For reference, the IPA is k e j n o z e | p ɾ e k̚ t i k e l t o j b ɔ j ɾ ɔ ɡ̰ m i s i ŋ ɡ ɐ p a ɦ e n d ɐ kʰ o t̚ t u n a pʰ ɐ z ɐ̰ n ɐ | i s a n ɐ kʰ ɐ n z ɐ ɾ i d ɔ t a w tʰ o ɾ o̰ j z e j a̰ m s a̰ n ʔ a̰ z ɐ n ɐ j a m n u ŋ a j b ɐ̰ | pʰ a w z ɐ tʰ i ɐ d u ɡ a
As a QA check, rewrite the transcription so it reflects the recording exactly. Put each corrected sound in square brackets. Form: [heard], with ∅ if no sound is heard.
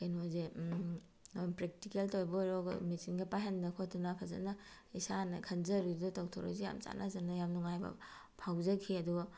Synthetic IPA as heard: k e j n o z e | p ɾ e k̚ t i k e l t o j b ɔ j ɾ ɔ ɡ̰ m i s i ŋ ɡ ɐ p a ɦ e n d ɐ kʰ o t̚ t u n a pʰ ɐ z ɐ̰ n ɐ | i s a n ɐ kʰ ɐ n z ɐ ɾ i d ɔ t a w tʰ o ɾ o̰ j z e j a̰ m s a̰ n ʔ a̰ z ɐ n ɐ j a m n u ŋ a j b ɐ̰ | pʰ a w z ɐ [kʰ] i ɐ d u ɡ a